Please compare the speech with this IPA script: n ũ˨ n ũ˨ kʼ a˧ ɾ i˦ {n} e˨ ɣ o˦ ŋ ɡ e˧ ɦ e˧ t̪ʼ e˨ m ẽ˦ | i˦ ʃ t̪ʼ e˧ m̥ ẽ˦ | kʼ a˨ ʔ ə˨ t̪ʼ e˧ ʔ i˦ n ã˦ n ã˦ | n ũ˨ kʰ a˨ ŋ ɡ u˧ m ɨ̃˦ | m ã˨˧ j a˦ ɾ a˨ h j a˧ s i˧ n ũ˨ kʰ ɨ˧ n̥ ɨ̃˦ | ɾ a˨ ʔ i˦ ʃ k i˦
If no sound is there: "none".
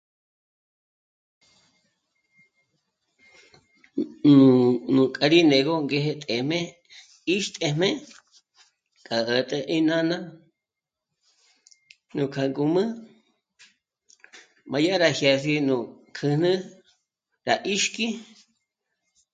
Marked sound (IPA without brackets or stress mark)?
n